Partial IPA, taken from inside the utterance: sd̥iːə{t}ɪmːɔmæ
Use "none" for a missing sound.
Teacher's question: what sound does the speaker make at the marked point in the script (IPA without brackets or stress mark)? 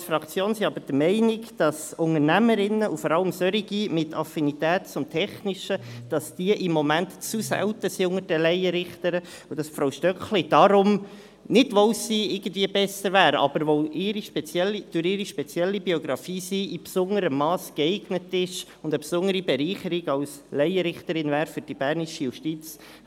ʔ